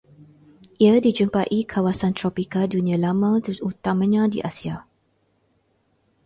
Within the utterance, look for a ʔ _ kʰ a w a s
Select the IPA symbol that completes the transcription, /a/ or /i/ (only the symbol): i